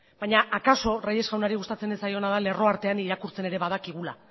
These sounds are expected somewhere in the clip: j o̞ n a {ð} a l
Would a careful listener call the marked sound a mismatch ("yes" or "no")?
no